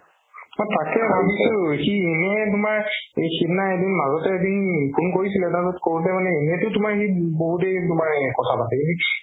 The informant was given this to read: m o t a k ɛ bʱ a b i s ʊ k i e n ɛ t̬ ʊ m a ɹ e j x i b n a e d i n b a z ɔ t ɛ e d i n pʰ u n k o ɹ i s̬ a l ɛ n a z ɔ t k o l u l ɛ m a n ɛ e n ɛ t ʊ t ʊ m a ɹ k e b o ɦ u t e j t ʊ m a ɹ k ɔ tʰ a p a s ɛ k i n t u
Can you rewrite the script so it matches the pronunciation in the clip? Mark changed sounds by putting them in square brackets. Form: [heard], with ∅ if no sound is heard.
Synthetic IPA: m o t a k ɛ bʱ a b i s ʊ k i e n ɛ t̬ ʊ m a ɹ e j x i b n a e d i n [m] a z ɔ t ɛ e d i n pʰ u n k o ɹ i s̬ [i] l ɛ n a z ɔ t k o [ɹ] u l ɛ m a n ɛ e n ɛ t ʊ t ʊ m a ɹ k [i] b o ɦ u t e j t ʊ m a ɹ k ɔ tʰ a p a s ɛ k i n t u